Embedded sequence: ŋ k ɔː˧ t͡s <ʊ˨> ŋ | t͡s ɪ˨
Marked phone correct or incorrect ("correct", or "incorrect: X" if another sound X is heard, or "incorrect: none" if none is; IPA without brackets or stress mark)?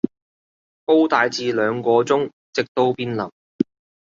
incorrect: ʊ˥